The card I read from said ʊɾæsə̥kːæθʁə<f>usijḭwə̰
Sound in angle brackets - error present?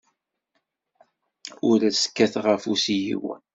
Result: no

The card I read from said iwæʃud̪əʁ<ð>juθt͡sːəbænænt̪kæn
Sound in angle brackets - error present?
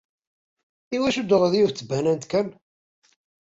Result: no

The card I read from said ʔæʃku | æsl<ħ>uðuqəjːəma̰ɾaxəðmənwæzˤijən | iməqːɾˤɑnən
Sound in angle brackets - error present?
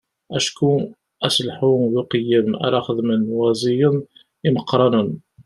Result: no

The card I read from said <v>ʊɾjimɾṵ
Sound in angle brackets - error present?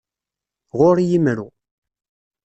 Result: yes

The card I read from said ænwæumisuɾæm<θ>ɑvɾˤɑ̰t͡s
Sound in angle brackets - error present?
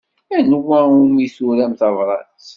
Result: no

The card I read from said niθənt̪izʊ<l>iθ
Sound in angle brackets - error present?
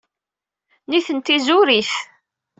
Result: yes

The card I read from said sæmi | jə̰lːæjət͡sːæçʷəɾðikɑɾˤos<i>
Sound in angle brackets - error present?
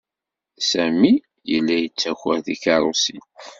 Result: no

